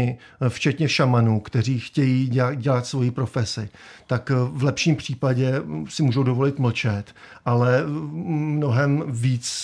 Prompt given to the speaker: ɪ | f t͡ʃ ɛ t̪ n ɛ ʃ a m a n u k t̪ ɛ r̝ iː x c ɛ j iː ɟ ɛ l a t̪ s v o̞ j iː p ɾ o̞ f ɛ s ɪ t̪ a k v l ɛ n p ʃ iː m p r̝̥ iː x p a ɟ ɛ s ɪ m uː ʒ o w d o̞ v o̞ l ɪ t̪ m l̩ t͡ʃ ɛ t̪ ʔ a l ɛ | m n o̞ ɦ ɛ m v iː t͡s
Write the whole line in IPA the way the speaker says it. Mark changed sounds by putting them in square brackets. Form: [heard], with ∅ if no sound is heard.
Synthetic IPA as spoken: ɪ | f t͡ʃ ɛ t̪ [ɲ] ɛ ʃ a m a n u k t̪ ɛ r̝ iː x c ɛ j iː ɟ ɛ l a t̪ s v o̞ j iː p ɾ o̞ f ɛ s ɪ t̪ a k v l ɛ [∅] p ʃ iː m p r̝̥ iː [∅] p a ɟ ɛ s ɪ m uː ʒ o w d o̞ v o̞ l ɪ t̪ m l̩ t͡ʃ ɛ t̪ ʔ a l ɛ | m n o̞ ɦ ɛ m v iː t͡s